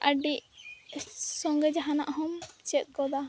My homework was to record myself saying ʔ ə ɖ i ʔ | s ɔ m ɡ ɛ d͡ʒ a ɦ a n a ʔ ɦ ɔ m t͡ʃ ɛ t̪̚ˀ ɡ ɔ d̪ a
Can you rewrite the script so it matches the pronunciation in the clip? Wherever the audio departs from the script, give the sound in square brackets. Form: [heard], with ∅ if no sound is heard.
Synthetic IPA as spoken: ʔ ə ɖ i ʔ | s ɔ [ŋ] ɡ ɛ d͡ʒ a ɦ a n a ʔ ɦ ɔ m t͡ʃ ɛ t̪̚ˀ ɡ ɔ d̪ a